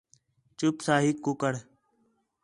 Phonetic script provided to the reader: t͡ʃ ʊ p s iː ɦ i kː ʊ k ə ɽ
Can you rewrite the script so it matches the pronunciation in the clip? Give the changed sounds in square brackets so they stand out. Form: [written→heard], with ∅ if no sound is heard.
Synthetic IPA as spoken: t͡ʃ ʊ p s [iː→aː] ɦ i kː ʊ k ə ɽ